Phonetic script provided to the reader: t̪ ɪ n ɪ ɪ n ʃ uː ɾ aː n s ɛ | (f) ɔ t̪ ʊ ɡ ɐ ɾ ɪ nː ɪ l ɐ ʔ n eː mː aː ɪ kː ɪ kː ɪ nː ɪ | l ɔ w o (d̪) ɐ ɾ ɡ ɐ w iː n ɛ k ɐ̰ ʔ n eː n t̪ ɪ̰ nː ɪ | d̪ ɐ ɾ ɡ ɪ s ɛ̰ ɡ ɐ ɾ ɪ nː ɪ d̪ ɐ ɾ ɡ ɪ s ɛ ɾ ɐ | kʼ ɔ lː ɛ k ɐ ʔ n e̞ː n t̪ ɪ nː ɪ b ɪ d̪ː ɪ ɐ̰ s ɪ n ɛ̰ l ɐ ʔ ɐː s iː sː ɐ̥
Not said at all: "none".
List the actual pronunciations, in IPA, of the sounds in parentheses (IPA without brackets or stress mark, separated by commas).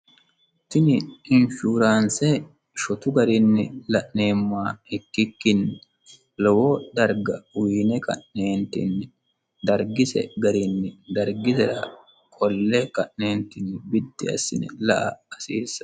ʃ, d̪